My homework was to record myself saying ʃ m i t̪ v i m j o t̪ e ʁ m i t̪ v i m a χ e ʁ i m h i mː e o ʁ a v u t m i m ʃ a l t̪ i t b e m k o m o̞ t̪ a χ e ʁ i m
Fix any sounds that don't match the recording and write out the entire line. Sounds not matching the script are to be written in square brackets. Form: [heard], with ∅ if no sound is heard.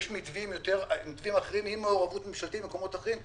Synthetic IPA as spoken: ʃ m i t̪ v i m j o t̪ e ʁ m i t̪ v i m a χ e ʁ i m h i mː e o ʁ a v u t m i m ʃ a l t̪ i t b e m k o m o̞ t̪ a χ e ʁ i m

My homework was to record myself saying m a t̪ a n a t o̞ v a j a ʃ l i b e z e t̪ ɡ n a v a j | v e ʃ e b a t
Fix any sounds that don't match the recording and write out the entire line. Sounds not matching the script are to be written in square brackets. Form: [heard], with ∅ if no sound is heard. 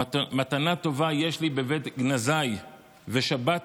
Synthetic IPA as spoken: m a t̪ a n a t o̞ v a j [e] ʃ l i b e [v] e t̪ ɡ n a [z] a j | v e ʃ [a] b a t

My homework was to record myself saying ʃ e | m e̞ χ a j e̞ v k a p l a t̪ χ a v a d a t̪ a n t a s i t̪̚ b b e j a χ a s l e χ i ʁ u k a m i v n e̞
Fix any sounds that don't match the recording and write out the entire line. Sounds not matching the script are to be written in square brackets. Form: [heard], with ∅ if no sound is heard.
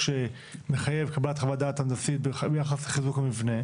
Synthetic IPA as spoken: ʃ e | m e̞ χ a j e̞ v k a [b] l a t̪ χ a v a d a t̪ a n [d] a s i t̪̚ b b e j a χ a s l e χ i [z] u k a m i v n e̞

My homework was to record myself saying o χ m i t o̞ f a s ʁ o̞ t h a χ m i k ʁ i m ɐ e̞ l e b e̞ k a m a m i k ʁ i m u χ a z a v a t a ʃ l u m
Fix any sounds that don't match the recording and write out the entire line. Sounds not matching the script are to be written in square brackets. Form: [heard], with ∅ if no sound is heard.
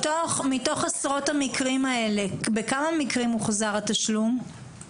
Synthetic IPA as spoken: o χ m i t o̞ [χ] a s ʁ o̞ t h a [∅] m i k ʁ i m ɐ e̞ l e b e̞ k a m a m i k ʁ i m u χ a z a [ʁ] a t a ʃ l u m

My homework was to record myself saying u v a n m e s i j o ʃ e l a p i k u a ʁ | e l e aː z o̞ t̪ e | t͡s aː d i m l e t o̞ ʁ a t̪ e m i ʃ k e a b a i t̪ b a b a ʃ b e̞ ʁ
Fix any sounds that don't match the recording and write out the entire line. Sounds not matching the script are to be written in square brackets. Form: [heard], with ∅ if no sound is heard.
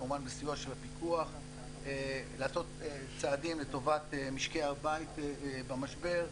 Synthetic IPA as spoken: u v a n [b] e s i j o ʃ e l a p i k u a [χ] | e l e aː [s] o̞ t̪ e | t͡s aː d i m l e t o̞ [v] a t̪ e m i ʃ k e a b a i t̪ b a [m] a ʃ b e̞ ʁ

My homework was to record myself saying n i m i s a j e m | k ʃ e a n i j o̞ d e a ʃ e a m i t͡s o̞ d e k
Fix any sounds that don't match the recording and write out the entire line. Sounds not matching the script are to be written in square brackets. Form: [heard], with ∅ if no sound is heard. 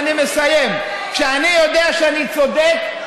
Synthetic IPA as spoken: n i m [e] s a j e m | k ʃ e a n i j o̞ d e a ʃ e a [n] i t͡s o̞ d e k

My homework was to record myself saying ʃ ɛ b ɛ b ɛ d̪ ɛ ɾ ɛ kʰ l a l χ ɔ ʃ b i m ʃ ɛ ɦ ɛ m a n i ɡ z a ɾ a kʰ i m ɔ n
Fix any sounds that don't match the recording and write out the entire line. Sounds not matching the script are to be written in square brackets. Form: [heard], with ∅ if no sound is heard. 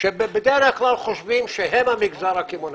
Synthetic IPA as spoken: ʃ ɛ b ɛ b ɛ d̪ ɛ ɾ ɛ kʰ l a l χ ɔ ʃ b i m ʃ ɛ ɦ ɛ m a [m] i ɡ z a ɾ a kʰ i m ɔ n

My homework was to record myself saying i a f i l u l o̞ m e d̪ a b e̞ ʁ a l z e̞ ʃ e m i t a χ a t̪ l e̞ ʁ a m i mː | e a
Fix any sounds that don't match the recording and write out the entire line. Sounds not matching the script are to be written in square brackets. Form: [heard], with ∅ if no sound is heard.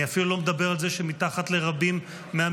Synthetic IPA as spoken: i a f i l u l o̞ m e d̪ a b e̞ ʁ a l z e̞ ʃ e m i t a χ a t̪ l e̞ ʁ a [b] i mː | e a

